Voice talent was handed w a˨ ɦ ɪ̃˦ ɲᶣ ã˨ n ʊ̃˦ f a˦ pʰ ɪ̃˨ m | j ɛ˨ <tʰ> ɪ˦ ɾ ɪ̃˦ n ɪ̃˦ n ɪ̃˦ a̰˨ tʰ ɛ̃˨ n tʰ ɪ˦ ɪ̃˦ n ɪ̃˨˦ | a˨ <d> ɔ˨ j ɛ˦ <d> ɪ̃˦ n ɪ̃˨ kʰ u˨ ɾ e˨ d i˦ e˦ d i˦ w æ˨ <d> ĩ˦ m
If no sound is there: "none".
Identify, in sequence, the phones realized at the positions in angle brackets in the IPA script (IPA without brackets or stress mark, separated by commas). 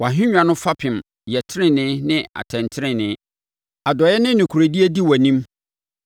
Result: tʰ, d, n, n